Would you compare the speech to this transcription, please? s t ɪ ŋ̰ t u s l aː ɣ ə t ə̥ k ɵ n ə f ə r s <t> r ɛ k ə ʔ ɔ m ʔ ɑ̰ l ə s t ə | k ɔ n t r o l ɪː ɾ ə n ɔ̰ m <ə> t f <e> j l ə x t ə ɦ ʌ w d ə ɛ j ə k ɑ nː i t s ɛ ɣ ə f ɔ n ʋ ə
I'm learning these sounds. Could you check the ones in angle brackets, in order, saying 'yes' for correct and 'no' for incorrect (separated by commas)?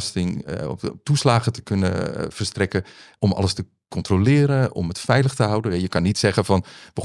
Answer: yes, yes, no